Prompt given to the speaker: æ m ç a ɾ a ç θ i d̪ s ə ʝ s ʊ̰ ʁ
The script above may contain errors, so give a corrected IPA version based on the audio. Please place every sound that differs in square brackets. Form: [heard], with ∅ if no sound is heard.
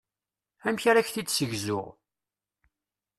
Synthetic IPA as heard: æ m ç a ɾ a ç θ i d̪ s ə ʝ [z] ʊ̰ ʁ